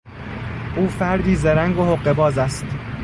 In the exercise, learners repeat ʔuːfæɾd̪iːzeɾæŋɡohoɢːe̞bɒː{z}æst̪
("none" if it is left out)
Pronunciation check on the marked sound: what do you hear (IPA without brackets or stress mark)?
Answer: z